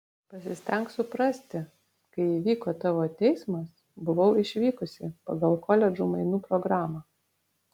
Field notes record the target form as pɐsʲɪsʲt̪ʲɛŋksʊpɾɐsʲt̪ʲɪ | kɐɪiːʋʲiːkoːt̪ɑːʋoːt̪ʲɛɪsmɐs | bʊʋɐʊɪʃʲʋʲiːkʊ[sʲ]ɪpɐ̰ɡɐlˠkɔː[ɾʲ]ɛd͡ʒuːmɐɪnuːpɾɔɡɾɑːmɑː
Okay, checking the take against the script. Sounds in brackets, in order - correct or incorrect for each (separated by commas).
correct, incorrect